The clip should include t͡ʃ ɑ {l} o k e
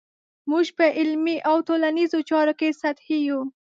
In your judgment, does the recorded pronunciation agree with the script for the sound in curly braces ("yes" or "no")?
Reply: no